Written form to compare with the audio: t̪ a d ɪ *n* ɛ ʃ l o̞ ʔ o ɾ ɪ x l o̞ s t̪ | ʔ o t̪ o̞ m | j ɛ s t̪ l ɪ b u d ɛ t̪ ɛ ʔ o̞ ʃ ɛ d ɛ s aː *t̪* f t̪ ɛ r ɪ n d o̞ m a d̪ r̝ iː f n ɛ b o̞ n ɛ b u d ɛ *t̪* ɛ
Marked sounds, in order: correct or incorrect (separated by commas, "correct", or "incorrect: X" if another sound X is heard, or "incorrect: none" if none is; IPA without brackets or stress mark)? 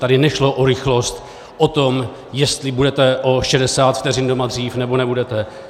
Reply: correct, correct, correct